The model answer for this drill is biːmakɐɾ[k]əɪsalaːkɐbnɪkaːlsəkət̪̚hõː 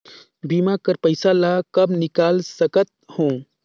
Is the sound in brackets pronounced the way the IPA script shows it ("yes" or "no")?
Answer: no